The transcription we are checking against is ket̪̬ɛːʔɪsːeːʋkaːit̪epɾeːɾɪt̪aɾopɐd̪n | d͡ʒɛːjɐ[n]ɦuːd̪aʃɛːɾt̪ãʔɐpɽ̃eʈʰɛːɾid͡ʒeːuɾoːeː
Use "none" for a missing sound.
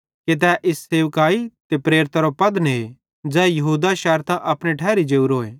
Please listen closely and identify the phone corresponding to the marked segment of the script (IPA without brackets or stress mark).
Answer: none